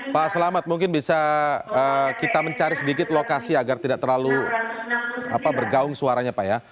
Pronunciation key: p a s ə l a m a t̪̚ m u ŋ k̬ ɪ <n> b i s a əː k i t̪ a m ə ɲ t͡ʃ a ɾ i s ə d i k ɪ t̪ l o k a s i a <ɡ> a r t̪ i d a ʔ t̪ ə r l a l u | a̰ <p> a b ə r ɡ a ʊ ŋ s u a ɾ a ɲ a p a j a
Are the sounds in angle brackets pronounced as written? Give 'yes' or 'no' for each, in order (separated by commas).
yes, yes, yes